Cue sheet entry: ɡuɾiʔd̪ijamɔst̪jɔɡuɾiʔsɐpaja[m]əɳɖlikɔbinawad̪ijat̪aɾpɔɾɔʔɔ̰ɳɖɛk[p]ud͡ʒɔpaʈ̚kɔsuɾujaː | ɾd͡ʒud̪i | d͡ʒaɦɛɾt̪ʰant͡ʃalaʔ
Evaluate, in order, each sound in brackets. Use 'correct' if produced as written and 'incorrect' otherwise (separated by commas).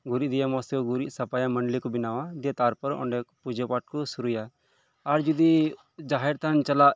correct, correct